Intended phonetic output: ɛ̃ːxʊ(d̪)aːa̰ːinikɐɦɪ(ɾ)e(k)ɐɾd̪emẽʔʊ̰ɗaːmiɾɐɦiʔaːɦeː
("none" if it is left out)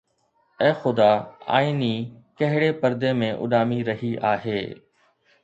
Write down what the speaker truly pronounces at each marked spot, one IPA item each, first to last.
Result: d̪, ɽ, p

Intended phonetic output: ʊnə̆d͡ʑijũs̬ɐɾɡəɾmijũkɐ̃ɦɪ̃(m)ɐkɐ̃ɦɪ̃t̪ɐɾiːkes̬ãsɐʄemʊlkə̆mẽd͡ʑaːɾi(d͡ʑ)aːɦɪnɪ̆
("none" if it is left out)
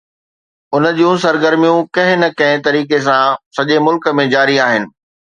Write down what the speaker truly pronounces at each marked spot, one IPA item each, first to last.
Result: n, none

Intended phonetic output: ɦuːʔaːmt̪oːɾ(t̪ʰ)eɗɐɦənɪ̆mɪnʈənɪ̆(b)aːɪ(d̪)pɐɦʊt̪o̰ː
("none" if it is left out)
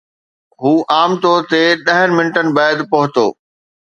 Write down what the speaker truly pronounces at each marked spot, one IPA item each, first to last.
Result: t̪, b, d̪

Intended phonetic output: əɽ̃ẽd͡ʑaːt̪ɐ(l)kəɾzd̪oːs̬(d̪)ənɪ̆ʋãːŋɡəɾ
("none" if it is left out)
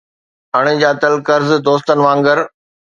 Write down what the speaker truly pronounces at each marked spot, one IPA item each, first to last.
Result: l, t̪

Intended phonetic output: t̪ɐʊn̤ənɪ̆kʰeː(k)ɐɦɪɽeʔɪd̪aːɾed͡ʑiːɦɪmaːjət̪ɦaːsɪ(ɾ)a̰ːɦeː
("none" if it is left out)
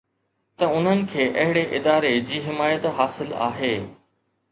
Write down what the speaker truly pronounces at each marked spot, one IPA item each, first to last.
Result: ʔ, l

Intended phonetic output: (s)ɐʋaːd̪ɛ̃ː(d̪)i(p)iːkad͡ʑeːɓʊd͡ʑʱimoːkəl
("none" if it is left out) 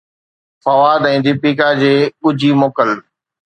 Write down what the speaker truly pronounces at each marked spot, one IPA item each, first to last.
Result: f, d̪, p

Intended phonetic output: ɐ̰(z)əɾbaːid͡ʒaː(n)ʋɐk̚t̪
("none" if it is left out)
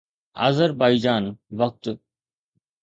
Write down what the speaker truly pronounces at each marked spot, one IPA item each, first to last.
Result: z, n

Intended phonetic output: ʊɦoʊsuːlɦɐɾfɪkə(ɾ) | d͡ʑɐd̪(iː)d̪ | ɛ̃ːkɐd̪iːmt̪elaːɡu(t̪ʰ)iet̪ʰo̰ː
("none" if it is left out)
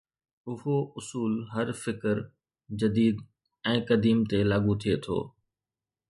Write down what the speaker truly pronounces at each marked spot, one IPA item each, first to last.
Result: ɾ, iː, t̪ʰ

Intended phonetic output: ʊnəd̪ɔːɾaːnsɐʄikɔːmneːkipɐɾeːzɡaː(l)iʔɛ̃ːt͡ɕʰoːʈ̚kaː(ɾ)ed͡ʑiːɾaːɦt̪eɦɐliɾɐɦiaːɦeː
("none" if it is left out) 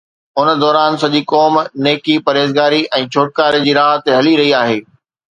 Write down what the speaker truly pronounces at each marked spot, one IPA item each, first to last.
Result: ɾ, ɾ

